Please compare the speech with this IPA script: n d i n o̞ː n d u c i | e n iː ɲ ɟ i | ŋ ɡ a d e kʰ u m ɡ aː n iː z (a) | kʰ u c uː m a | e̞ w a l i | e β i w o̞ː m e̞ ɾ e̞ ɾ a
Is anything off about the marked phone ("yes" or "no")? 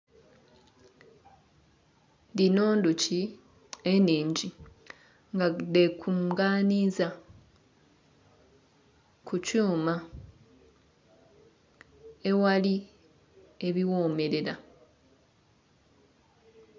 no